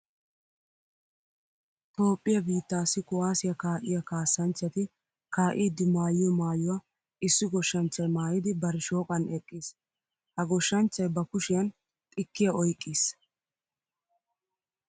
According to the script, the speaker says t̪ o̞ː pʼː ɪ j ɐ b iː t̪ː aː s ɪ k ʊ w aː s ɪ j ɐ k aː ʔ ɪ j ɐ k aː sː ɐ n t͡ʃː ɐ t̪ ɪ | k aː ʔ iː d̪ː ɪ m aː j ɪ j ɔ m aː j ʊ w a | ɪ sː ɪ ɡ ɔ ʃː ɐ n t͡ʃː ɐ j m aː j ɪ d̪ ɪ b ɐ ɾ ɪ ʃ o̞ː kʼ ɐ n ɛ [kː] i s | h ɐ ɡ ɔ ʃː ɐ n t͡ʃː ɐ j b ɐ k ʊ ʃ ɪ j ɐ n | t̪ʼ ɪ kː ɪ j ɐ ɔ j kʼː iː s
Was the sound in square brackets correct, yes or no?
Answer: no